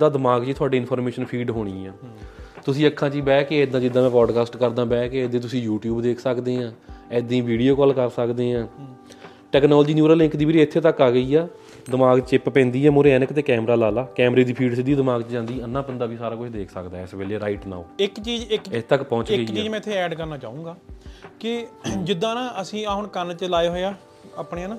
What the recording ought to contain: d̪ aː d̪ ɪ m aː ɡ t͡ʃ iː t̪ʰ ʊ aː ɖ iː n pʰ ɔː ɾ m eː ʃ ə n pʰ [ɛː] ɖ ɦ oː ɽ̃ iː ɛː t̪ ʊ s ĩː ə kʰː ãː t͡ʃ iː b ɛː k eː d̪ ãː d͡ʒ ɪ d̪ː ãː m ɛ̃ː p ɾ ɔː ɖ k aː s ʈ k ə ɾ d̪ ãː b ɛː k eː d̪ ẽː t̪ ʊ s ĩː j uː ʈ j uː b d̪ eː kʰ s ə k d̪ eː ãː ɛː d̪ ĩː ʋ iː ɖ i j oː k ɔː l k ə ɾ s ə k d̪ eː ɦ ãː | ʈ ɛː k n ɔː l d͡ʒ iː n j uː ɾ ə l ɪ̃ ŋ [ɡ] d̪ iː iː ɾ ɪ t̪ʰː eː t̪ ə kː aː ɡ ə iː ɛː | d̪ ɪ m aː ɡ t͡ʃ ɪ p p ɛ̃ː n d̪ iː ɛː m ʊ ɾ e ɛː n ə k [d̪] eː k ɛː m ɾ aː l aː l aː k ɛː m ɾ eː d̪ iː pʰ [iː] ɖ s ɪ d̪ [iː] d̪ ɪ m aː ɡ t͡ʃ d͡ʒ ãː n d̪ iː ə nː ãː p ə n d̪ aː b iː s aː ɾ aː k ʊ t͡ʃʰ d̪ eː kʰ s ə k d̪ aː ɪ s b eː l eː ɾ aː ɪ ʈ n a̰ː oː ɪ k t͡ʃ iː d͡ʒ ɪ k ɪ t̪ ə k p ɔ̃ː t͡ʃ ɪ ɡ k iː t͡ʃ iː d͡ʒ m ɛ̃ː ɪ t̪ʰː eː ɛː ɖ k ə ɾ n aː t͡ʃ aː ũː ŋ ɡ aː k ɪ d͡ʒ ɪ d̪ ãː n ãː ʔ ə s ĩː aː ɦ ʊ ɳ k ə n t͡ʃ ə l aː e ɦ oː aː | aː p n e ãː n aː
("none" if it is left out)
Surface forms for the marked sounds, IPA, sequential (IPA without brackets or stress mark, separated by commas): iː, k, t̪, iː, iː